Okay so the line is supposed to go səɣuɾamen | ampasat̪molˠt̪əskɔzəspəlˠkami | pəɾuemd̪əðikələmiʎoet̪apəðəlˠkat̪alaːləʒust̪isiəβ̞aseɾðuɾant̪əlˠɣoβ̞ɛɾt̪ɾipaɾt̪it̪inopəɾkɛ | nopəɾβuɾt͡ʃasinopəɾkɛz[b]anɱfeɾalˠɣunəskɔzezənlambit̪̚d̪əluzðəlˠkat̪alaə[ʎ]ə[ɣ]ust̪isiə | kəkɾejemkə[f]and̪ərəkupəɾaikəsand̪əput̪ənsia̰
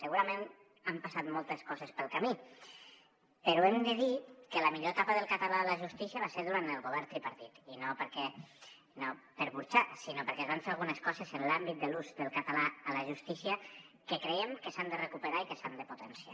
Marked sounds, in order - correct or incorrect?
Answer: incorrect: β, incorrect: l, incorrect: ʒ, incorrect: s

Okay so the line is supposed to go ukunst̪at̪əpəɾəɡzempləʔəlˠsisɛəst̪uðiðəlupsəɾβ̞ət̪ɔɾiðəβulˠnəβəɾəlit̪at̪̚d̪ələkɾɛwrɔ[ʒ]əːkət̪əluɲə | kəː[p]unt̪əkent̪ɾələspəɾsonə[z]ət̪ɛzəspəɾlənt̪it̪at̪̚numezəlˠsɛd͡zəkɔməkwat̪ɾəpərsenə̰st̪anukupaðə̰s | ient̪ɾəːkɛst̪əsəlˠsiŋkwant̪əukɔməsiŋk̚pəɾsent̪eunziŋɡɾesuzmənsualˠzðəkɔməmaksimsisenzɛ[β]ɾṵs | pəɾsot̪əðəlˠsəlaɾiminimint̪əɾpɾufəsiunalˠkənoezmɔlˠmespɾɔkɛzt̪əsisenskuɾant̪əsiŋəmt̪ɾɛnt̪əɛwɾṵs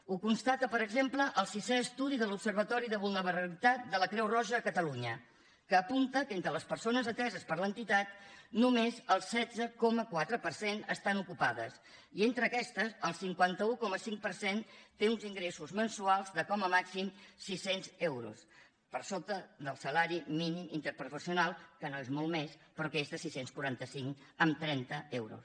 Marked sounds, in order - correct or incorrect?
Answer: correct, correct, correct, incorrect: w

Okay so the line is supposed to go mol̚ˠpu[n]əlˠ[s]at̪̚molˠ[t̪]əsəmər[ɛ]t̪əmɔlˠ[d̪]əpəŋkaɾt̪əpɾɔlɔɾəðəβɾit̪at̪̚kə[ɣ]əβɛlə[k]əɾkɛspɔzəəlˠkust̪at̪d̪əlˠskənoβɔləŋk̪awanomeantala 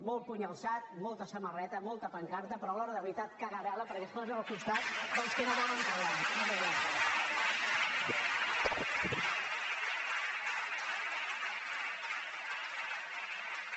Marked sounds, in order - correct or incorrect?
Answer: incorrect: ɲ, correct, correct, correct, incorrect: t̪, correct, incorrect: p

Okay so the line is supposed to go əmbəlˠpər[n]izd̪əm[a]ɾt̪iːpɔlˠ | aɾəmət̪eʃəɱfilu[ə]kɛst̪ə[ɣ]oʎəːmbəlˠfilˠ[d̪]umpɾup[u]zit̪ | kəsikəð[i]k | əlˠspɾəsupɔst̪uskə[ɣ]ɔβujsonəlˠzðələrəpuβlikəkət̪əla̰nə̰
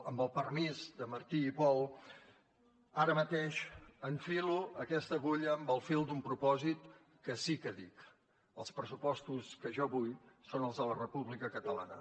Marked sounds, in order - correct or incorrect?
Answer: incorrect: m, incorrect: ə, correct, correct, correct, incorrect: ɔ, correct, incorrect: ʒ

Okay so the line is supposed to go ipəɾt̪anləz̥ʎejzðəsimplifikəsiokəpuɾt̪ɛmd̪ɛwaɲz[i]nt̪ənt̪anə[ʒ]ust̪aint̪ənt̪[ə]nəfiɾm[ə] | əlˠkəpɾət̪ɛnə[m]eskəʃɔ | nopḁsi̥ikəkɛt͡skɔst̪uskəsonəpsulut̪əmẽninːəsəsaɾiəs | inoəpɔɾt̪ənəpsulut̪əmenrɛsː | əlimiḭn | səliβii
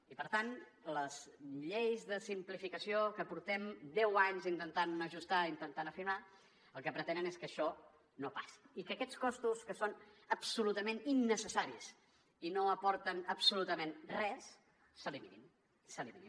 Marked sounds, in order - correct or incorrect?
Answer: correct, correct, incorrect: a, incorrect: a, incorrect: n

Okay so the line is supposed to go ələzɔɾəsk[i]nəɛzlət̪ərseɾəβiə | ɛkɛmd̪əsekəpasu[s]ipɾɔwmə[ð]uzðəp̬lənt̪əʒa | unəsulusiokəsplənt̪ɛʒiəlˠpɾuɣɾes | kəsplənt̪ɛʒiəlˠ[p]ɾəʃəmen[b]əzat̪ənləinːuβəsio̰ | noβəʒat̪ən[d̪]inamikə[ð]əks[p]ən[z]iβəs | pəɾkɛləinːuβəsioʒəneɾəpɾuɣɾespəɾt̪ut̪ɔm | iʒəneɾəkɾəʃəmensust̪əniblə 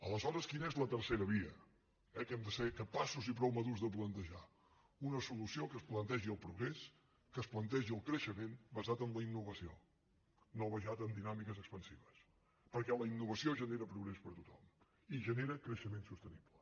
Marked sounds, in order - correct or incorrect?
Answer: correct, incorrect: z, correct, incorrect: k, correct, correct, incorrect: z, correct, incorrect: s

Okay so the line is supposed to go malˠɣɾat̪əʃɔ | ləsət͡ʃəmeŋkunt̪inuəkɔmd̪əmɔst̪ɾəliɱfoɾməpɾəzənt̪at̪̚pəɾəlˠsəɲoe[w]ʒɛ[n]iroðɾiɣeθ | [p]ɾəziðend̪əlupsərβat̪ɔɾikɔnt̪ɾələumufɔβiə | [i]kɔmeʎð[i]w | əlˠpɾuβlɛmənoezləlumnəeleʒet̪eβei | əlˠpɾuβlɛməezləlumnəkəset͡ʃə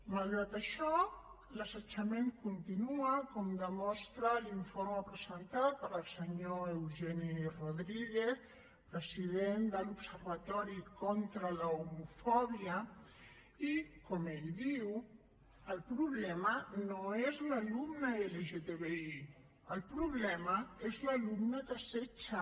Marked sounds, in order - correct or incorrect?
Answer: correct, correct, correct, correct, correct

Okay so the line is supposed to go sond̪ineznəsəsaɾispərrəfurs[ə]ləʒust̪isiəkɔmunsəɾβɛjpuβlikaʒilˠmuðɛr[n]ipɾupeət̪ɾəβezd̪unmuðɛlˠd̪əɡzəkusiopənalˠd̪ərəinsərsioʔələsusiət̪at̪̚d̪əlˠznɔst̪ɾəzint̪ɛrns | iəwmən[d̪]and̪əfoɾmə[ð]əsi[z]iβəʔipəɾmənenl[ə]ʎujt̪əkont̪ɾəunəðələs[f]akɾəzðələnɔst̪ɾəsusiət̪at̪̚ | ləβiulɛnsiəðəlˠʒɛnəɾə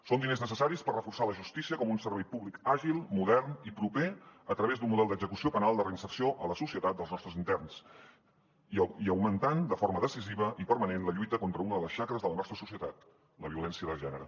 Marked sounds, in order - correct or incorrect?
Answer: incorrect: a, correct, incorrect: t̪, correct, correct, correct, incorrect: ʃ

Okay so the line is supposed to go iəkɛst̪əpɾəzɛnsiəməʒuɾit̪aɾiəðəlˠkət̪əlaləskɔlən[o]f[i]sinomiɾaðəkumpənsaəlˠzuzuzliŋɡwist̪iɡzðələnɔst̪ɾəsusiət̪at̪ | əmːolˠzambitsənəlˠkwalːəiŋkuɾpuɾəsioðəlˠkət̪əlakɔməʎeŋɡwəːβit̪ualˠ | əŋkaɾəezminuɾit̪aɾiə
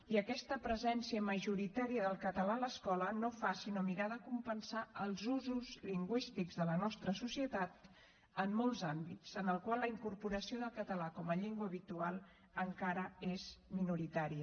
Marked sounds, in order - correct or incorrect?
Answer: correct, incorrect: a

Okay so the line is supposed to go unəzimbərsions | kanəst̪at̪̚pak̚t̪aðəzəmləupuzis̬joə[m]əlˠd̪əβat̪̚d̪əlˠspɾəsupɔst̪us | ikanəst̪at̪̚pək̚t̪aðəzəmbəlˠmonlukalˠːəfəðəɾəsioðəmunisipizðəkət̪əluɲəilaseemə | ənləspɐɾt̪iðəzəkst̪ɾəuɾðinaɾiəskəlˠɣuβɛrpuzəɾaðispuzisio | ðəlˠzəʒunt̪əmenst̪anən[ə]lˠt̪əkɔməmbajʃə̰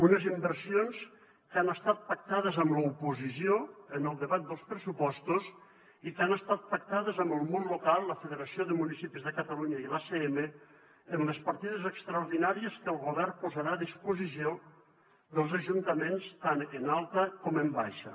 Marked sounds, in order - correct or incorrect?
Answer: incorrect: n, incorrect: a

